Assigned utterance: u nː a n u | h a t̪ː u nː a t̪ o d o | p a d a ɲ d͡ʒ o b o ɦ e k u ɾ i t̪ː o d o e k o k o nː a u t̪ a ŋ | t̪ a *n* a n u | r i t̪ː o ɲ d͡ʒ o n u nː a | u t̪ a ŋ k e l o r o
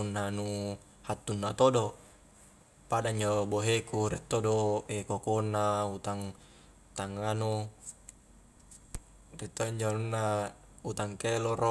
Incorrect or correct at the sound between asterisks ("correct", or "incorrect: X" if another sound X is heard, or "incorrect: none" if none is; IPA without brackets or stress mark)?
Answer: incorrect: ŋ